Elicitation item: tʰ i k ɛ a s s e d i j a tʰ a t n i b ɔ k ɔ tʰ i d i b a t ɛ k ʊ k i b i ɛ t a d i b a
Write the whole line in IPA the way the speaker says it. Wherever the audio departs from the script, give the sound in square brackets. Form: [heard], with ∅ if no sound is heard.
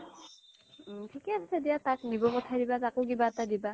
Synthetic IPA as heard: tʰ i k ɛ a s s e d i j a [t] a [k] n i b ɔ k ɔ tʰ [a] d i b a t [a] k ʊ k i b [a] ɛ t a d i b a